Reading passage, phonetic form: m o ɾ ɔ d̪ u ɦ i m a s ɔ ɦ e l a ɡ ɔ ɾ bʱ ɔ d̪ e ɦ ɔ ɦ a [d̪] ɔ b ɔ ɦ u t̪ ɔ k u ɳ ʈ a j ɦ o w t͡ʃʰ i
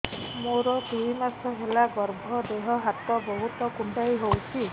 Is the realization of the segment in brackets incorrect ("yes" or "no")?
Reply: yes